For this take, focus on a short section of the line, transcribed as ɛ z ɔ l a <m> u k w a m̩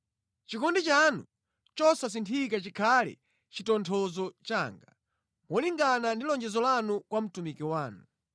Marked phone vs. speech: incorrect: n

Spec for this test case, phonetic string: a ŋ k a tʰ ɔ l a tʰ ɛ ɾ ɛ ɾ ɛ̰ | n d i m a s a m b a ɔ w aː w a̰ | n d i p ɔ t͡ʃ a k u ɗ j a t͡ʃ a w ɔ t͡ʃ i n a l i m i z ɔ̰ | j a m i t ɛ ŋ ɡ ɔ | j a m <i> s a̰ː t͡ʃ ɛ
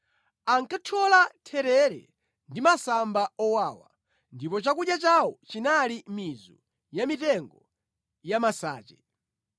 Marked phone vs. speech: incorrect: a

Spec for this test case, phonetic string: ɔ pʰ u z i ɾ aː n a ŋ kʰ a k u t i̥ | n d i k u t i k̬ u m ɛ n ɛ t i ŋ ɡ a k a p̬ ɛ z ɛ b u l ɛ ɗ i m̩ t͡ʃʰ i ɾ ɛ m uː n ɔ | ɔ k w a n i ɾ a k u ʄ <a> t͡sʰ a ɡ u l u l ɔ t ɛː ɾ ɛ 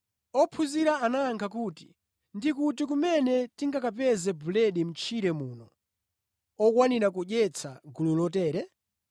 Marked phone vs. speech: incorrect: ɛ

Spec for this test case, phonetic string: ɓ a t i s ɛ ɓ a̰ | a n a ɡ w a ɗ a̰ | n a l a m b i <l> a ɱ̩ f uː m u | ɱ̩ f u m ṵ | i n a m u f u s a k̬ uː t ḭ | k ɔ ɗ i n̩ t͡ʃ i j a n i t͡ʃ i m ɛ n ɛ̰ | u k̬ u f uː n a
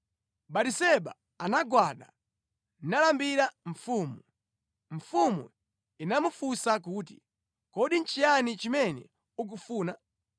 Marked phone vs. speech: incorrect: ɾ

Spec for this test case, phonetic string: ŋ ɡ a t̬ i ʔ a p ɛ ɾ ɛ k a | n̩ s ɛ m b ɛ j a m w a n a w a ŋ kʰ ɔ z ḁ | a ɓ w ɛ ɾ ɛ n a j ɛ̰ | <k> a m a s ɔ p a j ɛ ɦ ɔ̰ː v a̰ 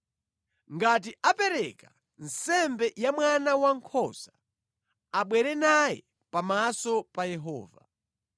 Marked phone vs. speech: incorrect: p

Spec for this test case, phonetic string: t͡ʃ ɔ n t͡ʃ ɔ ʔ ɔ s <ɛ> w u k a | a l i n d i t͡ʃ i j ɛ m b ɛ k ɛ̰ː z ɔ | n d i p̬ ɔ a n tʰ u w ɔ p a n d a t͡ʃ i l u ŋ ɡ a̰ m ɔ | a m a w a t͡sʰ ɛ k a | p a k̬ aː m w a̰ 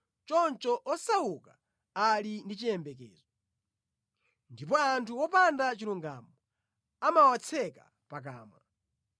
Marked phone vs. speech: incorrect: a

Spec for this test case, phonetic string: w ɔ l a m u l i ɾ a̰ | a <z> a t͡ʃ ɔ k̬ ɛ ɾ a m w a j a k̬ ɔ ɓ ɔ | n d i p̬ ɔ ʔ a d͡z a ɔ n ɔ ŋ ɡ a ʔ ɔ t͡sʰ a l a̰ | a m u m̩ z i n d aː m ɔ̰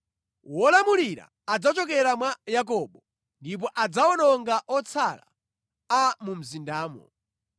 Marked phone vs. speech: incorrect: d͡z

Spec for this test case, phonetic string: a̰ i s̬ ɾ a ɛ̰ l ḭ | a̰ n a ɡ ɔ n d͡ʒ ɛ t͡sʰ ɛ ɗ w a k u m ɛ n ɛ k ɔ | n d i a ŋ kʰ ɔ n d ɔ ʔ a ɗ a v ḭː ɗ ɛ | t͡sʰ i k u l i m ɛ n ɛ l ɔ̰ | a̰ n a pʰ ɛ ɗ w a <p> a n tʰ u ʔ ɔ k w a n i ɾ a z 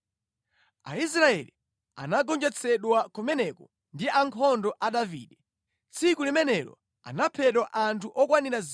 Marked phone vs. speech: incorrect: ʔ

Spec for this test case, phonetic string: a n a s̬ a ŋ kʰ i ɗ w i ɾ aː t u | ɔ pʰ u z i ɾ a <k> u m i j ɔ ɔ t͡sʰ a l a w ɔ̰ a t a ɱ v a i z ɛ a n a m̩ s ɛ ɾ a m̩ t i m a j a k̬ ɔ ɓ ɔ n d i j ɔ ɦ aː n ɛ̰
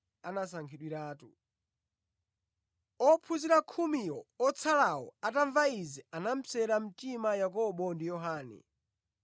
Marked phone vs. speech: incorrect: kʰ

